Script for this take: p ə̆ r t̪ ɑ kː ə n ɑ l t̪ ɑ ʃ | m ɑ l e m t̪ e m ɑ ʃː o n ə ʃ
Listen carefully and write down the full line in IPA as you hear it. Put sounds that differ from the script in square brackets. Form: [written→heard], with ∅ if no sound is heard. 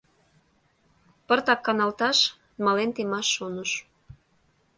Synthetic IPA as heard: p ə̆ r t̪ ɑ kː [ə→ɑ] n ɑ l t̪ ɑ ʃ | m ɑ l e [m→n] t̪ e m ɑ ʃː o n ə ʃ